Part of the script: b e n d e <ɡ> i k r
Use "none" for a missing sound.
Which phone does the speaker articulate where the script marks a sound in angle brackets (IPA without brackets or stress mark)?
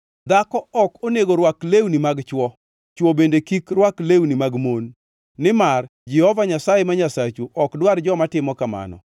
k